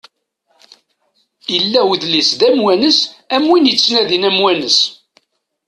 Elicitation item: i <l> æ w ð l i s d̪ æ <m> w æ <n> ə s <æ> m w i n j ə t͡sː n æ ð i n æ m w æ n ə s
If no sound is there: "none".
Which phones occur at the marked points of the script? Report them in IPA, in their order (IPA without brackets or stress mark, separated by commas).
lː, m, n, æ